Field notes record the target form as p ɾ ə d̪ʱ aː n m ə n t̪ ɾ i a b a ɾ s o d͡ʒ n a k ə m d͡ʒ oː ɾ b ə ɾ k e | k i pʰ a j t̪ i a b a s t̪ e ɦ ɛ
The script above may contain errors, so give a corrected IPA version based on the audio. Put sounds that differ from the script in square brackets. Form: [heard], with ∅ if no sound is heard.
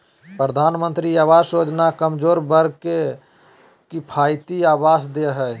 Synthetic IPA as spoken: p ɾ ə d̪ʱ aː n m ə n t̪ ɾ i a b a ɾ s o d͡ʒ n a k ə m d͡ʒ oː ɾ b ə ɾ k e | k i pʰ a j t̪ i a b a s [d̪] e ɦ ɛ